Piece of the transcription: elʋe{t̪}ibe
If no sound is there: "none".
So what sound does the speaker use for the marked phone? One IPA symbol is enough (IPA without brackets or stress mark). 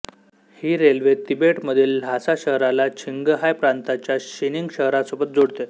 t̪